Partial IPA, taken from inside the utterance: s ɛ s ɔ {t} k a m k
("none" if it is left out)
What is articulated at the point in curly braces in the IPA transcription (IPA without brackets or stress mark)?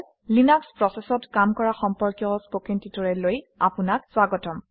t